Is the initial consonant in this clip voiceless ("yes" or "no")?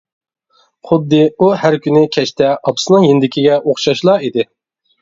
yes